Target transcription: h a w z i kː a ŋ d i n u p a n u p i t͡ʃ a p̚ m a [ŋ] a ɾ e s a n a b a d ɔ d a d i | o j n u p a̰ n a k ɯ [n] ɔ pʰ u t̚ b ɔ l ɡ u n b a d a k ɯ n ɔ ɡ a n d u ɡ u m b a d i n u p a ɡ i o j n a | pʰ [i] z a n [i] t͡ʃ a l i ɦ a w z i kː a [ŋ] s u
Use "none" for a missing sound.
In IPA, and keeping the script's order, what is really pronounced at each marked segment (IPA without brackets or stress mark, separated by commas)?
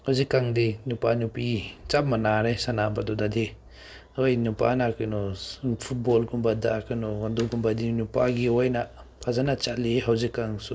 n, n, a, a, ŋ